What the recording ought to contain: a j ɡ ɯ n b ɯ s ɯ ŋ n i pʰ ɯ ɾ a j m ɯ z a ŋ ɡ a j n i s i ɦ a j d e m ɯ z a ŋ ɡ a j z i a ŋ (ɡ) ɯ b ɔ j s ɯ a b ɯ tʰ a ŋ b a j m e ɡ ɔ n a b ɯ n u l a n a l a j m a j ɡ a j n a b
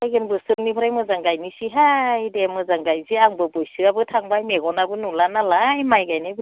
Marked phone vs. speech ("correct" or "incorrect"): incorrect